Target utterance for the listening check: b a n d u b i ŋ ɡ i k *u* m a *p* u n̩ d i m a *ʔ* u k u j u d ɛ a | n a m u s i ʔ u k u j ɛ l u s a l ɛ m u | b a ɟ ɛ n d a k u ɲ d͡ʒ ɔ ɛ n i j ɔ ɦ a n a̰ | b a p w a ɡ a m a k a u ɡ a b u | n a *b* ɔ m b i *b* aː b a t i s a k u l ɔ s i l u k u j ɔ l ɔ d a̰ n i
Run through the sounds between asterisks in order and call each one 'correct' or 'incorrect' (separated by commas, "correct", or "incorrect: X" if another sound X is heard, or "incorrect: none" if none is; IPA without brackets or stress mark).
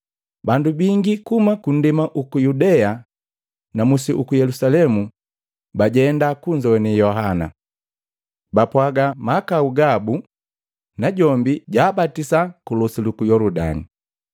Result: correct, incorrect: k, correct, incorrect: ɟ, incorrect: ɟ